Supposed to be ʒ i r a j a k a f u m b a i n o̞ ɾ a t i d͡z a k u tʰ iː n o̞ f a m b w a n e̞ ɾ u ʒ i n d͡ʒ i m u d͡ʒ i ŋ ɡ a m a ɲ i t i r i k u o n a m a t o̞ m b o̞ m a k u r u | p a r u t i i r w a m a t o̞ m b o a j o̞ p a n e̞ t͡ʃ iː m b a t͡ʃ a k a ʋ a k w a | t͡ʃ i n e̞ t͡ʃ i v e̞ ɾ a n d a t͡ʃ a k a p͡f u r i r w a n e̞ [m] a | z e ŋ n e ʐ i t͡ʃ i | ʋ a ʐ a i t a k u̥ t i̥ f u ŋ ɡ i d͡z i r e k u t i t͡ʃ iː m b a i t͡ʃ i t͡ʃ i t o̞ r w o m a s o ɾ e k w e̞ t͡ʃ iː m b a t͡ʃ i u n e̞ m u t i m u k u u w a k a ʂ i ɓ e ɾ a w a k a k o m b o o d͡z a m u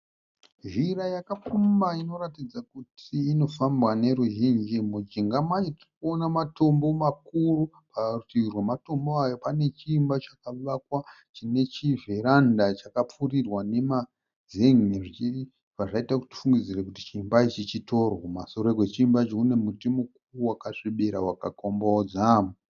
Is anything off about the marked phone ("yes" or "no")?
no